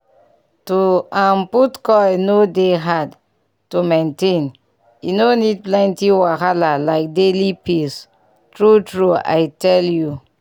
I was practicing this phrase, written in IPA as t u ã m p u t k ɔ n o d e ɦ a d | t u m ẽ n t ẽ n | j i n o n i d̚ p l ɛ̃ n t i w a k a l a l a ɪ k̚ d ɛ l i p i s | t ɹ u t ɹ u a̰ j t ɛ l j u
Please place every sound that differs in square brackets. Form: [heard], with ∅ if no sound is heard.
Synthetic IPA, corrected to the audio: t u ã m p u t k ɔ n o d e ɦ a d | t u m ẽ n t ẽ n | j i n o n i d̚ p l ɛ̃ n t i w a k a l a l a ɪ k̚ d [e] l i p i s | t ɹ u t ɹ u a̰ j t ɛ l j u